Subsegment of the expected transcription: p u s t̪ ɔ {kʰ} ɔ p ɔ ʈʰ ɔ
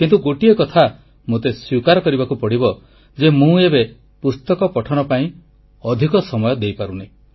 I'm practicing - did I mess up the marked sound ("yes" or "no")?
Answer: yes